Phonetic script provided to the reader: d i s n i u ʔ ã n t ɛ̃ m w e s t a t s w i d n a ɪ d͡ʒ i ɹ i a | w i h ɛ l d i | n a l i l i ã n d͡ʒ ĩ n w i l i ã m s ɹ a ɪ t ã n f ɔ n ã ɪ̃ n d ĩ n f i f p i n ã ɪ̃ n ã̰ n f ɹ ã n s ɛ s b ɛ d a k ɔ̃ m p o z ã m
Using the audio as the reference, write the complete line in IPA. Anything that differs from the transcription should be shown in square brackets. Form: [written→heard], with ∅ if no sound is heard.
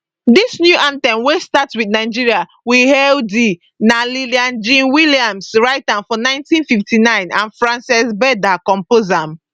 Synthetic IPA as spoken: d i s n [i→j] u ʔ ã n t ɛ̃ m w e s t a t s w i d n a ɪ d͡ʒ i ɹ i a | w i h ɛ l d i | n a l i l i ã n d͡ʒ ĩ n w i l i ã m s ɹ a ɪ t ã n f ɔ n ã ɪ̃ n [d→t] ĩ n f i f [p→t] i n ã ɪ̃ n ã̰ n f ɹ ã n s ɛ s b ɛ d a k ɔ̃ m p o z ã m